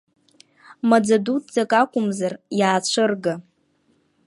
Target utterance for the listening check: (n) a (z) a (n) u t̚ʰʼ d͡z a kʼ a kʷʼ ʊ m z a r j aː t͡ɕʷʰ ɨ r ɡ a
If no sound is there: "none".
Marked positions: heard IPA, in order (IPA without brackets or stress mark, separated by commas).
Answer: m, d͡z, d